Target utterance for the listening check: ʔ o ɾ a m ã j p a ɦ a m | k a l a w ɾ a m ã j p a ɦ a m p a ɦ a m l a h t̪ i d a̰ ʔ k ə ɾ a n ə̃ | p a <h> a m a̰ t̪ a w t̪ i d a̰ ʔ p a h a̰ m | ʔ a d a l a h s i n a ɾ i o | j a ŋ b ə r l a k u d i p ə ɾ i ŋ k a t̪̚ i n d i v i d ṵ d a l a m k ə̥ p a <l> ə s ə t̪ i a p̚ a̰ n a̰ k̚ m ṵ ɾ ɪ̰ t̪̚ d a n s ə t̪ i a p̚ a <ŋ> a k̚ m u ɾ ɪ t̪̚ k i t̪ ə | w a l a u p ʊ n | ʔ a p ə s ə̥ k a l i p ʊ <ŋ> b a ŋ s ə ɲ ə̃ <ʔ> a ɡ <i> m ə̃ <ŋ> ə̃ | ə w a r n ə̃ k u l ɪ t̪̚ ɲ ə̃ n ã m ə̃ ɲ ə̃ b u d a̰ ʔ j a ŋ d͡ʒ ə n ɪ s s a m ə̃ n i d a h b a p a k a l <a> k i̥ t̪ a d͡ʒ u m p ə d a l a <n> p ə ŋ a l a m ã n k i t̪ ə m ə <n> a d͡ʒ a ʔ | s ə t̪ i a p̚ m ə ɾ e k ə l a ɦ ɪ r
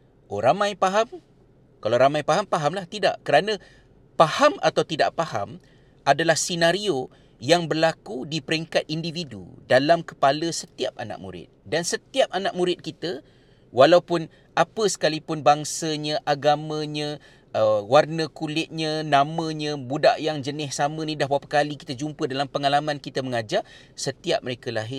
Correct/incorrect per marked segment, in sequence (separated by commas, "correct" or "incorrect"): correct, correct, incorrect, incorrect, correct, incorrect, incorrect, incorrect, incorrect, incorrect